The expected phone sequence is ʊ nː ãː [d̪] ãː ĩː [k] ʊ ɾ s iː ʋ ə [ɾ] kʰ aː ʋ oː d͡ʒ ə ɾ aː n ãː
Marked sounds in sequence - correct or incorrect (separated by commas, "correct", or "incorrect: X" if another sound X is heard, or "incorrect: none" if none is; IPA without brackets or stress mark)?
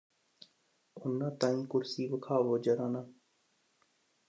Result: incorrect: t̪, correct, incorrect: none